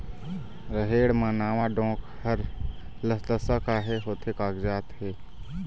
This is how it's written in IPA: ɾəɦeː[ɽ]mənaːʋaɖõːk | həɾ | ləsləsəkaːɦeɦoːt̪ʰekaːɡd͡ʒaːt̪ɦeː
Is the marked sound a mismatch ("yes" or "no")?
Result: no